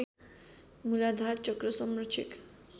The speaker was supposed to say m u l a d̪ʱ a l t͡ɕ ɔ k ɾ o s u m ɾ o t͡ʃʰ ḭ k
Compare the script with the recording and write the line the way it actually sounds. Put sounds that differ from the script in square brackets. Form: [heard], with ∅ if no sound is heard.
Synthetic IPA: m u l a d̪ʱ a [ɾ] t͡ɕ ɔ k ɾ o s [ɔ] m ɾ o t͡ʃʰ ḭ k